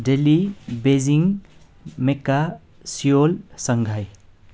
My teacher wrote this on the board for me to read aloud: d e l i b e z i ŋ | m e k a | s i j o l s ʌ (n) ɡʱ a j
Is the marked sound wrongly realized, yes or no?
yes